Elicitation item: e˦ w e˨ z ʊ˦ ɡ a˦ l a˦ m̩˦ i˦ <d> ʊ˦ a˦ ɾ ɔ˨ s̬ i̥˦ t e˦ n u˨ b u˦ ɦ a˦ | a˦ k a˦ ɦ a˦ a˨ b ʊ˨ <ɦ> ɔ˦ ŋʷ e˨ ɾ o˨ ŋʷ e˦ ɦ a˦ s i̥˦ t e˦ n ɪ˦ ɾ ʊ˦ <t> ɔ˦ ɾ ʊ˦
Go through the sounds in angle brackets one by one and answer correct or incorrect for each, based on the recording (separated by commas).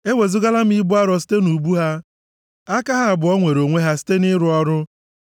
incorrect, incorrect, incorrect